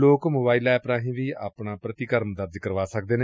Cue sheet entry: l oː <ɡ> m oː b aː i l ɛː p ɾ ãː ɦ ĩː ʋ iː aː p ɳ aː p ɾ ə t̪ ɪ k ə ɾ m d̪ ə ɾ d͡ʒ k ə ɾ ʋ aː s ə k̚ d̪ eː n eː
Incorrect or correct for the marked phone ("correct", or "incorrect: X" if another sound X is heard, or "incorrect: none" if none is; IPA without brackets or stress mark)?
incorrect: k